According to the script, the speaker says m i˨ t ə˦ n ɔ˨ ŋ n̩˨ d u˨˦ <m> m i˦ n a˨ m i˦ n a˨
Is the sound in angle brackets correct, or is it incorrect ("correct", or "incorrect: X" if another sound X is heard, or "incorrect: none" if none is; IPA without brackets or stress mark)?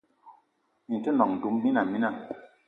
correct